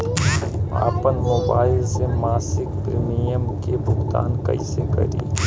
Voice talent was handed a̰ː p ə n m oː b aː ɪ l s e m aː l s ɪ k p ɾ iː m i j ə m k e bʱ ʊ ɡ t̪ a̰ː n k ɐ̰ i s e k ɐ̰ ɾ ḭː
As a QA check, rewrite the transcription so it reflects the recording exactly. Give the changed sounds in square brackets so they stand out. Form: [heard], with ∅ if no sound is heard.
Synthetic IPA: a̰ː p ə n m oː b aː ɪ l s e m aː [∅] s ɪ k p ɾ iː m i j ə m k e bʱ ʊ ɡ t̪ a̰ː n k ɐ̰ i s e k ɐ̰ ɾ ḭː